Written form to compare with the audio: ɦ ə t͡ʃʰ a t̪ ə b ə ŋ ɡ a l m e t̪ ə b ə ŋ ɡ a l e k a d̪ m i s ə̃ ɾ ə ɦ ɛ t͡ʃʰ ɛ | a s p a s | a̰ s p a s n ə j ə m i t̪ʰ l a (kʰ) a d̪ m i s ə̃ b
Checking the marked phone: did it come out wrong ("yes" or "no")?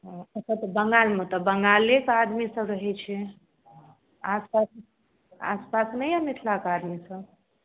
yes